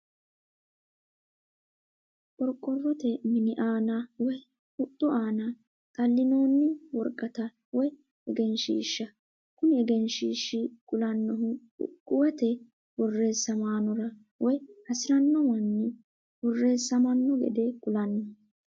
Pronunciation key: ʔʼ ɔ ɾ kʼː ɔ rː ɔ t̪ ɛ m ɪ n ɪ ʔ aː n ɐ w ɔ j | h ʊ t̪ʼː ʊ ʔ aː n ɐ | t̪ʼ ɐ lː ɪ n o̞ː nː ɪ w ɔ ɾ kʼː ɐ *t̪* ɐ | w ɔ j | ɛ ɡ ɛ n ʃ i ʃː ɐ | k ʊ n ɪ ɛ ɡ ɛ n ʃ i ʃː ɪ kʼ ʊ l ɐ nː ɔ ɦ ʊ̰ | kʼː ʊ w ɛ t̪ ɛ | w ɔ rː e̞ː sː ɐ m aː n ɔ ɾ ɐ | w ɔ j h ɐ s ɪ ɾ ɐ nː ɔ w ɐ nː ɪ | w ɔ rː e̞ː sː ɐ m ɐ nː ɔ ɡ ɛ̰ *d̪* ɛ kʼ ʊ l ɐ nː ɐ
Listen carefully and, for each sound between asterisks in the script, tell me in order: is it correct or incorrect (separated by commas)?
correct, correct